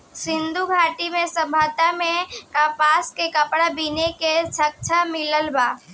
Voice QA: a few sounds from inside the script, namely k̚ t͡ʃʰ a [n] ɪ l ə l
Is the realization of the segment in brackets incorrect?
yes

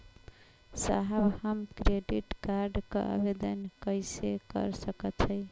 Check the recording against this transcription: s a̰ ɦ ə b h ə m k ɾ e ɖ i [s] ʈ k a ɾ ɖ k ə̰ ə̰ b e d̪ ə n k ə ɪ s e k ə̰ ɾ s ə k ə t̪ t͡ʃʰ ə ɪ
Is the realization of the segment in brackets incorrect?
yes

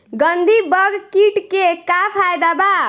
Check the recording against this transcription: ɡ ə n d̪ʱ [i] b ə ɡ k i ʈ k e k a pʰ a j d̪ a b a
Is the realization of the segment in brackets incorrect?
no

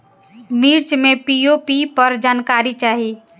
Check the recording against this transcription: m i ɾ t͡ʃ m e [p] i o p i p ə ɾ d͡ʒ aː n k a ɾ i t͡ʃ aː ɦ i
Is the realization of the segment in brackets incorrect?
no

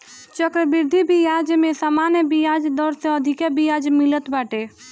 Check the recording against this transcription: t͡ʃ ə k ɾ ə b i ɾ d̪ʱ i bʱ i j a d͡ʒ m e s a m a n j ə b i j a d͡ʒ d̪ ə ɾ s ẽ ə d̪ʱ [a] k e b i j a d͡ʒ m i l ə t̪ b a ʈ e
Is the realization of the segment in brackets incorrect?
yes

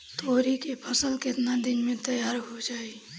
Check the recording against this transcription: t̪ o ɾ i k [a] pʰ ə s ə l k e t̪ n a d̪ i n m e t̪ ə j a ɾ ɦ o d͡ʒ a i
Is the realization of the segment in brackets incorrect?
yes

